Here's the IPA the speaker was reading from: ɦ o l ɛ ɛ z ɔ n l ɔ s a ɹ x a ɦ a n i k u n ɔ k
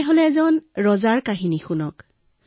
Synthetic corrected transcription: ɦ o l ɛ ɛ z ɔ n ɹ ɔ z a ɹ k a ɦ i n i x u n ɔ k